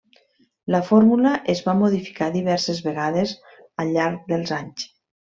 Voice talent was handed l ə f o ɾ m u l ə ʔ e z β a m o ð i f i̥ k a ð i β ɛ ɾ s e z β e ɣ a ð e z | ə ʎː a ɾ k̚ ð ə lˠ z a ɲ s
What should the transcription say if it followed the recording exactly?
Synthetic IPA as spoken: l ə f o ɾ m u l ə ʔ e z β a m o ð i f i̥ k a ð i β ɛ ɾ s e z β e ɣ a ð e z | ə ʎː a ɾ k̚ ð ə lˠ z a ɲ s